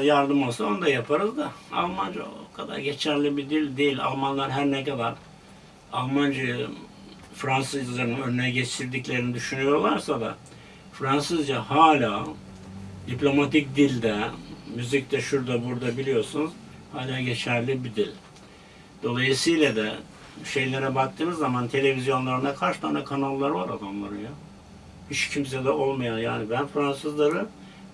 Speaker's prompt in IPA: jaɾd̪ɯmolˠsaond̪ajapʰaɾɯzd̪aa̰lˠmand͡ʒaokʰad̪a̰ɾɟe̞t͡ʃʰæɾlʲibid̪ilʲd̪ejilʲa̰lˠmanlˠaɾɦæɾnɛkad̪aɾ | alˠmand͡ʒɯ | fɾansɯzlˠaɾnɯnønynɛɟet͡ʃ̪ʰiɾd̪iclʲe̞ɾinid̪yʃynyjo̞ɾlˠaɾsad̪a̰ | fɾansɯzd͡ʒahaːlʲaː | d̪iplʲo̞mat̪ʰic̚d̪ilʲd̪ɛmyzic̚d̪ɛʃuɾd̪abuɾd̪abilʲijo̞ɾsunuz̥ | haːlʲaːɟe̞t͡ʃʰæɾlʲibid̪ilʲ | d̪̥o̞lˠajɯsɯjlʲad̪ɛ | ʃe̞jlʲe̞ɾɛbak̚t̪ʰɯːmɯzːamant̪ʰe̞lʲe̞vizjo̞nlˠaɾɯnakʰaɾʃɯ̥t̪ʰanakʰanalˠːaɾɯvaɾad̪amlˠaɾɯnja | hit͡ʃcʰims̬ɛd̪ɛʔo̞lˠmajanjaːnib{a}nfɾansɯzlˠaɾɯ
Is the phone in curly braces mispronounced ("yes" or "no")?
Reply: yes